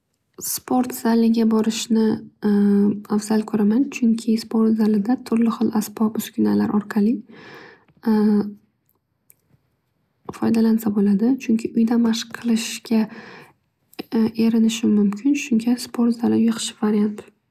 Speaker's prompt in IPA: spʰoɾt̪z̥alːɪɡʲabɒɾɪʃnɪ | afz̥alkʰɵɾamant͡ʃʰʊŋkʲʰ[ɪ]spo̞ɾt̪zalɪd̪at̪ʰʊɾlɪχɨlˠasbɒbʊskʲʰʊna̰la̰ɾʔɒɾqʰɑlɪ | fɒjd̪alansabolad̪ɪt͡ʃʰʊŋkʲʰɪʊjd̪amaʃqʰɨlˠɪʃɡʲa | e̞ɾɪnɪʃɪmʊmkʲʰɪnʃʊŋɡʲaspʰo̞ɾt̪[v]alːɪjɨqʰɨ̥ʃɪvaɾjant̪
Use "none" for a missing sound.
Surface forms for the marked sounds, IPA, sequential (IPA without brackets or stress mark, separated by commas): ɪ, z